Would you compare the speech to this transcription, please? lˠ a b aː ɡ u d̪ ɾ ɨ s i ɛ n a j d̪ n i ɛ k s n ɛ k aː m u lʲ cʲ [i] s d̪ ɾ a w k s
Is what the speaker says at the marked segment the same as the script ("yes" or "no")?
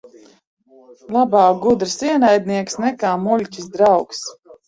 yes